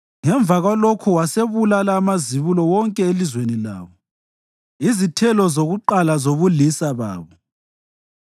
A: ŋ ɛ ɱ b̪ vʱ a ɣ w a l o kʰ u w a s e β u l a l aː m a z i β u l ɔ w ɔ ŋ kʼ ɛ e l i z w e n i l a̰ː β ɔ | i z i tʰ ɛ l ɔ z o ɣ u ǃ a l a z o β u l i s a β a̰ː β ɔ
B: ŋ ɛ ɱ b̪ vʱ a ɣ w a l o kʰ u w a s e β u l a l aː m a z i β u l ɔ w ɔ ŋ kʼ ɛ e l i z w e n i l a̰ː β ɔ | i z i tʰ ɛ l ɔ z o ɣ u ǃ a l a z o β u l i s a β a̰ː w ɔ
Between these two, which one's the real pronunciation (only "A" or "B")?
A